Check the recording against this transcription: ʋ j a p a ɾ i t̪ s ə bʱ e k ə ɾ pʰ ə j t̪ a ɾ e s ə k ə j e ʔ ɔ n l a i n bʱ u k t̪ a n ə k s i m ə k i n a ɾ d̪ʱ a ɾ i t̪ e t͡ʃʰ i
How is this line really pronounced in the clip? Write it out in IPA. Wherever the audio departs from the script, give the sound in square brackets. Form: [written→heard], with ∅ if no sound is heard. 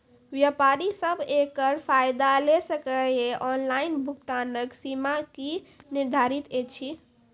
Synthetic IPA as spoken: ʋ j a p a ɾ i [t̪→∅] s ə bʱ e k ə ɾ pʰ [ə→a] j [t̪→d̪] a [ɾ→l] e s ə k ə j e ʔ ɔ n l a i n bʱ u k t̪ a n ə k s i m [ə→a] k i n [a→i] ɾ d̪ʱ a ɾ i t̪ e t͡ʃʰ i